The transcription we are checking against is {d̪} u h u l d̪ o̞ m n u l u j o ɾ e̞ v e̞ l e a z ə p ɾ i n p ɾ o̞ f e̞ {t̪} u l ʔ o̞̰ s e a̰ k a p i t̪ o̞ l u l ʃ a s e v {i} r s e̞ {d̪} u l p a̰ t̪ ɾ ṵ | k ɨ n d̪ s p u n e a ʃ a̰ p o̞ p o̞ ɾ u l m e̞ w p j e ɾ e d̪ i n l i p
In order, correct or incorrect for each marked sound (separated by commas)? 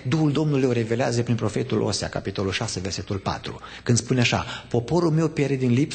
correct, correct, incorrect, incorrect